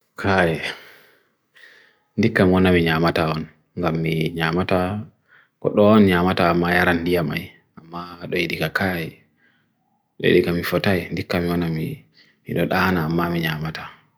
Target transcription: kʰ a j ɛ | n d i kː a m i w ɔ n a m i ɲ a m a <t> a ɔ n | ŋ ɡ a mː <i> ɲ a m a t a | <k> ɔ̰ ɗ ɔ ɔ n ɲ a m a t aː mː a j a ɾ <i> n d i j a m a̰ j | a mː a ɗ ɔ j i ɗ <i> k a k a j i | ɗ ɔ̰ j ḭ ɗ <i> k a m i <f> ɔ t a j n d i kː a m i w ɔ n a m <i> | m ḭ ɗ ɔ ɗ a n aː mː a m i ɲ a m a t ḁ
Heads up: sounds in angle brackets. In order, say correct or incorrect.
correct, correct, correct, incorrect, correct, correct, correct, correct

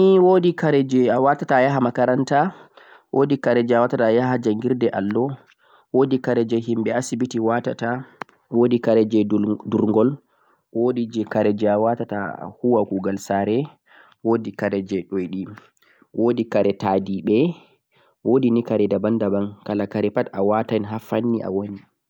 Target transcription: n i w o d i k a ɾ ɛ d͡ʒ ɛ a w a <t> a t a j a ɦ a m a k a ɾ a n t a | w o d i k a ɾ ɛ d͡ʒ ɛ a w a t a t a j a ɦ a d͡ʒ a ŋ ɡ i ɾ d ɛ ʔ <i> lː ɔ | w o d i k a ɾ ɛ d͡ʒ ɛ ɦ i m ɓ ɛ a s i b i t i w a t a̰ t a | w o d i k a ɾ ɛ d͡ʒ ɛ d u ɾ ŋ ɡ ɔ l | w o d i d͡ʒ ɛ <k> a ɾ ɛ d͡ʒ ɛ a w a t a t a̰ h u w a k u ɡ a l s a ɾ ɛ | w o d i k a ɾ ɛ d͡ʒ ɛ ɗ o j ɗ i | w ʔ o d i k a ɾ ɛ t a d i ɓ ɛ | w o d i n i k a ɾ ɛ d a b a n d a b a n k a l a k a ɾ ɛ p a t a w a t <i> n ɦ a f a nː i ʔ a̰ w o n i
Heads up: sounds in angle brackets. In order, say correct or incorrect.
correct, incorrect, correct, incorrect

